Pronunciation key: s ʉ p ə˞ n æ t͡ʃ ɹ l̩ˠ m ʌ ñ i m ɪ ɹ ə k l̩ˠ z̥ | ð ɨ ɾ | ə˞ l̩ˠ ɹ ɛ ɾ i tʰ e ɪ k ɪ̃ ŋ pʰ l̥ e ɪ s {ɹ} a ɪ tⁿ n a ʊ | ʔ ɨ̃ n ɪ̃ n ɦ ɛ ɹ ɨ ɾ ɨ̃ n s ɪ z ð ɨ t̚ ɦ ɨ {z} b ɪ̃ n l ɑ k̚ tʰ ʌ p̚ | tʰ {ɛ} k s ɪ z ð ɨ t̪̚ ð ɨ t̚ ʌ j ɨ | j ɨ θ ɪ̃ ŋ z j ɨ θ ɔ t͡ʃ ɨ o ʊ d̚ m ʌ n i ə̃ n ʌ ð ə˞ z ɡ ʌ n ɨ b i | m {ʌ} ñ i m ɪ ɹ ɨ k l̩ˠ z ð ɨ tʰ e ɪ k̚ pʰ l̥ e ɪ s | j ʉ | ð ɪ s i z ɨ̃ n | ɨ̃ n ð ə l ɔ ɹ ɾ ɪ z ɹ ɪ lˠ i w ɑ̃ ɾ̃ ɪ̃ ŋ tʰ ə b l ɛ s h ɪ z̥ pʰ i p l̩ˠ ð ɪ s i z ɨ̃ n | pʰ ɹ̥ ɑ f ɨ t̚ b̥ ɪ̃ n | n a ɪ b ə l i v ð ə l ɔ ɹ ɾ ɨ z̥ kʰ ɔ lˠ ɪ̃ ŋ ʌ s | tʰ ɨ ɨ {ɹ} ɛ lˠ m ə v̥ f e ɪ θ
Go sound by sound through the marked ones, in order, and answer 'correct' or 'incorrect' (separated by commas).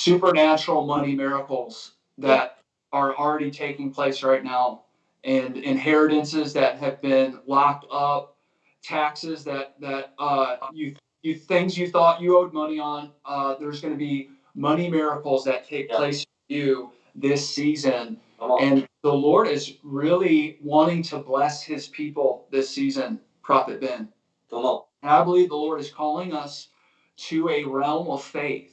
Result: correct, incorrect, incorrect, correct, correct